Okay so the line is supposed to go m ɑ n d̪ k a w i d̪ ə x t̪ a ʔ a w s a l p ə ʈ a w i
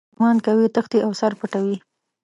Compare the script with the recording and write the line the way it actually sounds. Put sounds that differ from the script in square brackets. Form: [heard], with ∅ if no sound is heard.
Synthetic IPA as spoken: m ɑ n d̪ k a w i [t̪] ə x t̪ [i] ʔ a w s a [ɾ] p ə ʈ a w i

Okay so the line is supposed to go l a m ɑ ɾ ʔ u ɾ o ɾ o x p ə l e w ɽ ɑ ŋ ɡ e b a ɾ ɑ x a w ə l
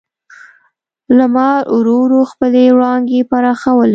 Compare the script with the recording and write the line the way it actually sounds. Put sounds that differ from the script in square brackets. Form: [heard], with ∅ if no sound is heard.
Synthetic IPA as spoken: l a m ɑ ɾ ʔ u ɾ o ɾ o x p ə l e w ɽ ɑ ŋ ɡ e [p] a ɾ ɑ x a w ə l

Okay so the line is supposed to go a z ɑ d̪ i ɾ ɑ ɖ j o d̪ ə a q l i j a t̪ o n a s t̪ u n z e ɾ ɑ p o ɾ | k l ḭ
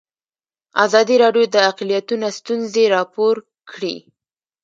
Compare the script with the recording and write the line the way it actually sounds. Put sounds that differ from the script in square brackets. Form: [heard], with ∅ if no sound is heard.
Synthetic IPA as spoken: a z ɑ d̪ i ɾ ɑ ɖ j o d̪ ə a q l i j a t̪ [u] n a s t̪ u n z e ɾ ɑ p o ɾ | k [ɽ] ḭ

